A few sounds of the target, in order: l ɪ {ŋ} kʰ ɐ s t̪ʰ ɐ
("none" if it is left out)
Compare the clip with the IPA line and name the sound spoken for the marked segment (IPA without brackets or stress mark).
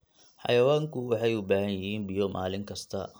ŋ